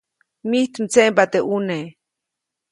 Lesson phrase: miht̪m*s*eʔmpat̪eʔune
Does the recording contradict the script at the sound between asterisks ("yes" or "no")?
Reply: yes